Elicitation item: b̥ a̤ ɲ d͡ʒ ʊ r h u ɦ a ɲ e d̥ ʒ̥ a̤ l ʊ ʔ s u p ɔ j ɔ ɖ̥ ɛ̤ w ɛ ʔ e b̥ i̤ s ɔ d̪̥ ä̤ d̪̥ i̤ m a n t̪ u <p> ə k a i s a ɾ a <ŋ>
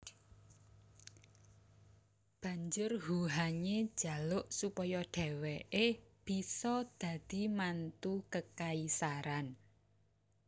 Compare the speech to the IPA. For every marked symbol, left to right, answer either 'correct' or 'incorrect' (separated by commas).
incorrect, incorrect